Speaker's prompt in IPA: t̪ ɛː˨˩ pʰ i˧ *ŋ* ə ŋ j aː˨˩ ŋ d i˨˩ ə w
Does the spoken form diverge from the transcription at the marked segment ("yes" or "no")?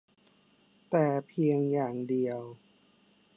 yes